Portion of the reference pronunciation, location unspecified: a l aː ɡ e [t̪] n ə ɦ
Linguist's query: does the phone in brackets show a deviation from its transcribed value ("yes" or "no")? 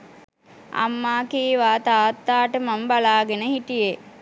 yes